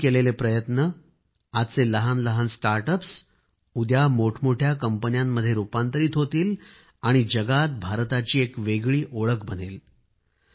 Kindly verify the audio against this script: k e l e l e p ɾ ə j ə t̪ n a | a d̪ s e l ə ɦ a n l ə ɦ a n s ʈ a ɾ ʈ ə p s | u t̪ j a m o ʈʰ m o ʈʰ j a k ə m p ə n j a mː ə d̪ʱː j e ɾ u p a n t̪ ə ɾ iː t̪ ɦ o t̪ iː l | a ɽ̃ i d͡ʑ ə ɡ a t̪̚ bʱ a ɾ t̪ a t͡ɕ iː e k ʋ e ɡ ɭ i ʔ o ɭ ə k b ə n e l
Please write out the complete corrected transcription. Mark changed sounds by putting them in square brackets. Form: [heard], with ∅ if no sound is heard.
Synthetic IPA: k e l e l e p ɾ ə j ə t̪ n [ə] | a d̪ [t͡s] e l ə ɦ a n l ə ɦ a n s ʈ a ɾ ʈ ə p s | u [d̪] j a m o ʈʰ m o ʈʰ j a k ə m p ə n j a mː ə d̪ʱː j e ɾ u p a n t̪ ə ɾ iː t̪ ɦ o t̪ iː l | a ɽ̃ i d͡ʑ ə ɡ a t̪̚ bʱ a ɾ t̪ a t͡ɕ iː e k ʋ e ɡ ɭ [iː] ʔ o ɭ ə k b ə n e l

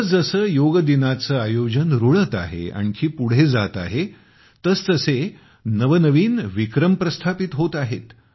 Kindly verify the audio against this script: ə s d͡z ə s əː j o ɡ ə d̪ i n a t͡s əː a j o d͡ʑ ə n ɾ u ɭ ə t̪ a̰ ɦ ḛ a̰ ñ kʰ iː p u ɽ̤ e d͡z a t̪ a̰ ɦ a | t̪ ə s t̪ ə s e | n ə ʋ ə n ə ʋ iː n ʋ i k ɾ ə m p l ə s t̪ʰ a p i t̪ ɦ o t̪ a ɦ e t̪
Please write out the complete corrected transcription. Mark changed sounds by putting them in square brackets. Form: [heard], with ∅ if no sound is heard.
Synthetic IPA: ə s d͡z ə s əː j o ɡ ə d̪ i n a t͡s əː a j o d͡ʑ ə n ɾ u ɭ ə t̪ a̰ ɦ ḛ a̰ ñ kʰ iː p u ɽ̤ e d͡z a t̪ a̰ ɦ [e] | t̪ ə s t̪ ə s e | n ə ʋ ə n ə ʋ iː n ʋ i k ɾ ə m p [ɾ] ə s t̪ʰ a p i t̪ ɦ o t̪ a ɦ e t̪

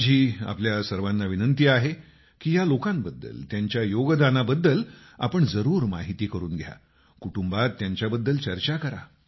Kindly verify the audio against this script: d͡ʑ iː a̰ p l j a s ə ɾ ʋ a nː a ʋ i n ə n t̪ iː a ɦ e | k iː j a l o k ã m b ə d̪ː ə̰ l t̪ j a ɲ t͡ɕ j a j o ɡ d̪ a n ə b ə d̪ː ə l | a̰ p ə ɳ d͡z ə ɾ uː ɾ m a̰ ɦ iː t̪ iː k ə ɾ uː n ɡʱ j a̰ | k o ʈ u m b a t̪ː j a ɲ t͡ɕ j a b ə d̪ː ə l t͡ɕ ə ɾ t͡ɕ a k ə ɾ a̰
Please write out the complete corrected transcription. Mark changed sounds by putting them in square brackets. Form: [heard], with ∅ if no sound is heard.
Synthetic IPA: d͡ʑ iː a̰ p l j a s ə ɾ ʋ a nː a ʋ i n ə n t̪ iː a ɦ e | k iː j a l o k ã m b ə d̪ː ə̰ l t̪ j a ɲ t͡ɕ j a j o ɡ d̪ a n [a] b ə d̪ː ə l | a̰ p ə ɳ d͡z ə ɾ uː ɾ m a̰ ɦ [i] t̪ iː k ə ɾ uː n ɡʱ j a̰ | k [u] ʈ u m b a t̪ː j a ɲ t͡ɕ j a b ə d̪ː ə l t͡ɕ ə ɾ t͡ɕ a k ə ɾ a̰

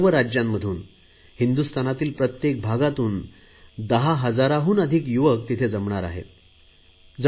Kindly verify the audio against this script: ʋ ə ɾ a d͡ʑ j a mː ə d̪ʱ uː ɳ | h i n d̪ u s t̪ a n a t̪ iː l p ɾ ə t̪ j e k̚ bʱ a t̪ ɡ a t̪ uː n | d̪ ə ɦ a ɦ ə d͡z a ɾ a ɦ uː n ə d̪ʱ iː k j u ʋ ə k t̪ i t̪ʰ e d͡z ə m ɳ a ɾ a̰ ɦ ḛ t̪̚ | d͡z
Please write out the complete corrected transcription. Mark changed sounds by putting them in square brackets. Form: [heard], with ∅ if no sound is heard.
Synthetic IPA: ʋ ə ɾ a d͡ʑ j a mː ə d̪ʱ uː [n] | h i n d̪ u s t̪ a n a t̪ iː l p ɾ ə t̪ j e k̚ bʱ a [∅] ɡ a t̪ uː n | d̪ ə ɦ a ɦ ə d͡z a ɾ a ɦ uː n ə d̪ʱ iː k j u ʋ ə k t̪ i t̪ʰ e d͡z ə m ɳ a ɾ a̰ ɦ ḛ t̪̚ | d͡z

